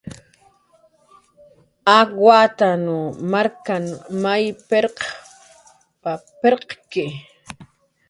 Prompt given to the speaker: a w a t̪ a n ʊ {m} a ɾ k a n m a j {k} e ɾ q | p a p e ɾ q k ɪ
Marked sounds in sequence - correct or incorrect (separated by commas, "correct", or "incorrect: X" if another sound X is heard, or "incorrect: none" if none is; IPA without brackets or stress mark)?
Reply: correct, incorrect: p